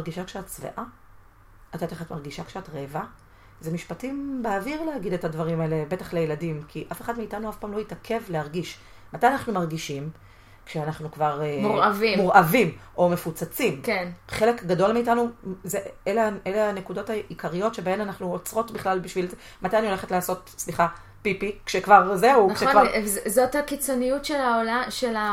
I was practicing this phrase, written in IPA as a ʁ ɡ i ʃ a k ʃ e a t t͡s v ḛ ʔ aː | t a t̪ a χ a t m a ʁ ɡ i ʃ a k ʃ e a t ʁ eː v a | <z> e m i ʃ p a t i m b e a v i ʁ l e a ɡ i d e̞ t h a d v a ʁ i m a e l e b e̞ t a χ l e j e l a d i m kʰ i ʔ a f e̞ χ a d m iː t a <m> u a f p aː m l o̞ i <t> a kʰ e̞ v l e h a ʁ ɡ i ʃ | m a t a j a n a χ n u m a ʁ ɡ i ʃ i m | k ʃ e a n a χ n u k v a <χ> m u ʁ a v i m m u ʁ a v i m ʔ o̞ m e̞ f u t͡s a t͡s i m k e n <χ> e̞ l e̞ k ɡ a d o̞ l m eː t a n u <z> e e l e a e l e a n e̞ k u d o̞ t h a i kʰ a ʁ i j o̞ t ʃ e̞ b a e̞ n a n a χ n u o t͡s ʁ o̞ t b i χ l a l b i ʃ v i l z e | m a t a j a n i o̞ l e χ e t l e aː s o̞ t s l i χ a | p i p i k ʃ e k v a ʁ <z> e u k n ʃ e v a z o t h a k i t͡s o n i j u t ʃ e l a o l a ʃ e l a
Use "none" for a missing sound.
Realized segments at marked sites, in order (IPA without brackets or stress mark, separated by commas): z, n, t, ʁ, χ, z, z